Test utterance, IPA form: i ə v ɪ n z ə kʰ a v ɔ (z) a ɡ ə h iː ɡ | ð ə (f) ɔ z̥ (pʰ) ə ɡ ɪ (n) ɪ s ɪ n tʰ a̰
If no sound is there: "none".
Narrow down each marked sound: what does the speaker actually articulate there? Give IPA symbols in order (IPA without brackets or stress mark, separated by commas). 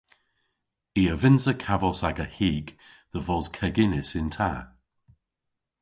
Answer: s, v, kʰ, n